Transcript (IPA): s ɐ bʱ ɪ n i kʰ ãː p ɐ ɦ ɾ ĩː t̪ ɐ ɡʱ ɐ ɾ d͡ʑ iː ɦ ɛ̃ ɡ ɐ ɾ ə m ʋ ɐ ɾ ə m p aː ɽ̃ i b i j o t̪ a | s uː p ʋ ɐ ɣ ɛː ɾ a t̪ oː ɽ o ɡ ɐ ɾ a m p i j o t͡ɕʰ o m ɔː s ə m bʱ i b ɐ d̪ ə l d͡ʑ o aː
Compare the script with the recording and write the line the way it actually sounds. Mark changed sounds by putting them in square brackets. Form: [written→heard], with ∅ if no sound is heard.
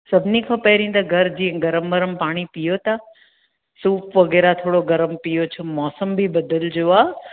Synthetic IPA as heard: s ɐ bʱ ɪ n i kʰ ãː p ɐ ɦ ɾ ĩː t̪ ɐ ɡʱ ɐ ɾ d͡ʑ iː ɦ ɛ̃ ɡ ɐ ɾ ə m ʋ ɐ ɾ ə m p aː ɽ̃ i [b→p] i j o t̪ a | s uː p ʋ ɐ ɣ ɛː ɾ a [t̪→t̪ʰ] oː ɽ o ɡ ɐ ɾ [a→ə] m p i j o t͡ɕʰ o m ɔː s ə m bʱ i b ɐ d̪ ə l d͡ʑ o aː

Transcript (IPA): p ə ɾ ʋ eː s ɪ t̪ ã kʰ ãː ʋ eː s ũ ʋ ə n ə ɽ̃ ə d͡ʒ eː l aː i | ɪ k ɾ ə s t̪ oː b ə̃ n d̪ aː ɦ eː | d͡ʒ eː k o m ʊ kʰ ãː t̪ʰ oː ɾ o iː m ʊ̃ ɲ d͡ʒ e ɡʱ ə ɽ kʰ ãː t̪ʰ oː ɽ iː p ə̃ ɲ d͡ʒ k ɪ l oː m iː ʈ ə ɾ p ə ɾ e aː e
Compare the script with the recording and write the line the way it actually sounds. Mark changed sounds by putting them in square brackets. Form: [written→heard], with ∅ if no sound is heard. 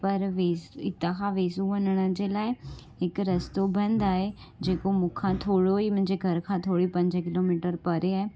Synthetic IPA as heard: p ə ɾ ʋ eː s ɪ t̪ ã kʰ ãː ʋ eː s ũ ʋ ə n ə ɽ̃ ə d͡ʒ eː l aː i | ɪ k ɾ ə s t̪ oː b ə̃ n d̪ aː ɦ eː | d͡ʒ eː k o m ʊ kʰ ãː t̪ʰ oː [ɾ→ɽ] o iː m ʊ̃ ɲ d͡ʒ e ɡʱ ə [ɽ→ɾ] kʰ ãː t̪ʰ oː ɽ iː p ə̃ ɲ d͡ʒ k ɪ l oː m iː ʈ ə ɾ p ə ɾ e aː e

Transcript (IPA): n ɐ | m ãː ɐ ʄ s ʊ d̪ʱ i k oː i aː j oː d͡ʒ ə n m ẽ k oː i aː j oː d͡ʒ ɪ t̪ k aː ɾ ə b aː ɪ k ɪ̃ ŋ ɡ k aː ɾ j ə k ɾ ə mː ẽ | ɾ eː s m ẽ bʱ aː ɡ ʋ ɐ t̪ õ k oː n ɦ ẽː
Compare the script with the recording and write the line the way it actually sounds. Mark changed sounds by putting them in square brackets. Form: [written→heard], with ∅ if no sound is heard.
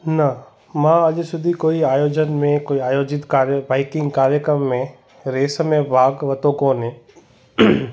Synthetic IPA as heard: n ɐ | m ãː ɐ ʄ s ʊ d̪ʱ i k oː i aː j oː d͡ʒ ə n m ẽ k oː i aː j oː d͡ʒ ɪ t̪ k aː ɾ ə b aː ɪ k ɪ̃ ŋ ɡ k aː ɾ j ə k ɾ ə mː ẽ | ɾ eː s m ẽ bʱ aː ɡ ʋ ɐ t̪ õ k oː n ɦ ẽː

